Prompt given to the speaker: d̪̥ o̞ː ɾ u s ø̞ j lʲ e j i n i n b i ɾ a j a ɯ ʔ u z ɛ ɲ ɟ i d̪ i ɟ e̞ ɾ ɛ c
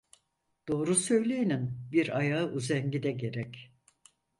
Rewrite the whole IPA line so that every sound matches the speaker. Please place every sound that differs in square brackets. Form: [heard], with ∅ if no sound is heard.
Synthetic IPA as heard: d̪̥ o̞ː ɾ u s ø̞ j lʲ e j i n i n b i ɾ a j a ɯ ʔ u z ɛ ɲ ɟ i d̪ [ɛ] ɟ e̞ ɾ ɛ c